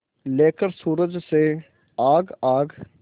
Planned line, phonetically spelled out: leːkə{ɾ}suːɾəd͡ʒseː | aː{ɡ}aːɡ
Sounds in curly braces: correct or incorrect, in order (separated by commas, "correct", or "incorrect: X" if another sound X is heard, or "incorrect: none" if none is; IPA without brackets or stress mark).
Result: correct, correct